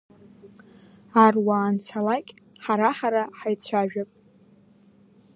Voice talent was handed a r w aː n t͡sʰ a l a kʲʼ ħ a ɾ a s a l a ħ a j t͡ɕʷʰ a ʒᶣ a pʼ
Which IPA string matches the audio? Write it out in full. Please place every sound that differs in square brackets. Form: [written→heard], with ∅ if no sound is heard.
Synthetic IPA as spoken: a r w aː n t͡sʰ a l a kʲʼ ħ a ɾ a [s→ħ] a [l→ɾ] a ħ a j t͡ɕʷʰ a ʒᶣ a pʼ